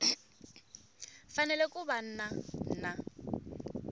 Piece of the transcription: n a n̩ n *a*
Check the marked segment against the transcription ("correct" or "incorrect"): correct